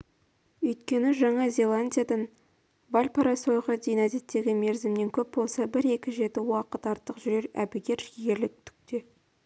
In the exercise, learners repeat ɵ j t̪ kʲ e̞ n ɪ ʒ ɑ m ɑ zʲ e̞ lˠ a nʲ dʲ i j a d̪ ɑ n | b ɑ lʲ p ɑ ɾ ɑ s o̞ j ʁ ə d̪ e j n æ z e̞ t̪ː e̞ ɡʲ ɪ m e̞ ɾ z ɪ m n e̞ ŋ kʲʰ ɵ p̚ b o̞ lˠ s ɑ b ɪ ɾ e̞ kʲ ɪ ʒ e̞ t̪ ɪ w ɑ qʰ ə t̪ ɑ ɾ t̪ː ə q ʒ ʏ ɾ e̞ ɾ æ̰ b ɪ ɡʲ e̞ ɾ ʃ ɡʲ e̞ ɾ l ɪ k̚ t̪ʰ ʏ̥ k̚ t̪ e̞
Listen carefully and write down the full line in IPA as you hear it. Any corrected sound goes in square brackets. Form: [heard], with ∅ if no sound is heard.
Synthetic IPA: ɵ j t̪ kʲ e̞ n ɪ ʒ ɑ [ɴ] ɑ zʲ e̞ lˠ a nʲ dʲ i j a d̪ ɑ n | b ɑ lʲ p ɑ ɾ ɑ s o̞ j ʁ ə d̪ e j n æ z e̞ t̪ː e̞ ɡʲ ɪ m e̞ ɾ z ɪ m n e̞ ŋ kʲʰ ɵ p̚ b o̞ lˠ s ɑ b ɪ ɾ e̞ kʲ ɪ ʒ e̞ t̪ ɪ w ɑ [q] ə t̪ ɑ ɾ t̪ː ə q ʒ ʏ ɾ e̞ ɾ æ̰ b ɪ ɡʲ e̞ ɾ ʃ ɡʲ e̞ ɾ l ɪ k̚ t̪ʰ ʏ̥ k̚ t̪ e̞